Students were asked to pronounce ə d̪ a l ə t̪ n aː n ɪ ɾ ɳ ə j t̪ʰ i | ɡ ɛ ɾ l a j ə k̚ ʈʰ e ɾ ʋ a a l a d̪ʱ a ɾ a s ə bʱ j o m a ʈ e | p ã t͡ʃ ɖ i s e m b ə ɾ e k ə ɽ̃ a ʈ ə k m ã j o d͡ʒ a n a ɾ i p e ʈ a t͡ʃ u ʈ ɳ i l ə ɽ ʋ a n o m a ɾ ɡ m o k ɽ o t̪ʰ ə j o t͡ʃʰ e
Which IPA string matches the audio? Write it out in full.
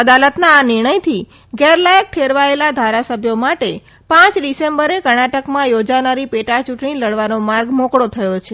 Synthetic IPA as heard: ə d̪ a l ə t̪ n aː n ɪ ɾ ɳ ə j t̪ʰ i | ɡ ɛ ɾ l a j ə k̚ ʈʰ e ɾ ʋ a e l a d̪ʱ a ɾ a s ə bʱ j o m a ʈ e | p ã t͡ʃ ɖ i s e m b ə ɾ e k ə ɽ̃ a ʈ ə k m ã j o d͡ʒ a n a ɾ i p e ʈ a t͡ʃ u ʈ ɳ i l ə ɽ ʋ a n o m a ɾ ɡ m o k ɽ o t̪ʰ ə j o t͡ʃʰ e